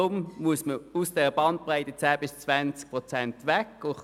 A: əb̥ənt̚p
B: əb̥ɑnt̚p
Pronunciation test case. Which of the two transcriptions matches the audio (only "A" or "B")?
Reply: B